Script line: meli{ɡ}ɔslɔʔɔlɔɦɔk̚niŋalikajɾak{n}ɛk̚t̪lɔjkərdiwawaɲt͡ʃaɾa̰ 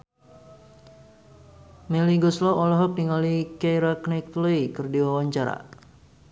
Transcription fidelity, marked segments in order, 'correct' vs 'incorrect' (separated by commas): correct, correct